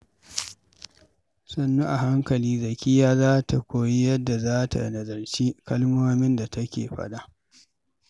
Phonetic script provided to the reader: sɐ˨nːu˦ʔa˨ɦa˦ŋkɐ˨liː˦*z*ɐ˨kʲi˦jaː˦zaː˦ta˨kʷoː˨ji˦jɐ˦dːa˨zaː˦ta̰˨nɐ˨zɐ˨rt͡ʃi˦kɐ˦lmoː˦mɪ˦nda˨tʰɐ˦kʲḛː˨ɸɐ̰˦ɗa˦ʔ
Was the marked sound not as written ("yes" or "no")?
no